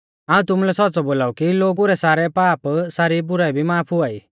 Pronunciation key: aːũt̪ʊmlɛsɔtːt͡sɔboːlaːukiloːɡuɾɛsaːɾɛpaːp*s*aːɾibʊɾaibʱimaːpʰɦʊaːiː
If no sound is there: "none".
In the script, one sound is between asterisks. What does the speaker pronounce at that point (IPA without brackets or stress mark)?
s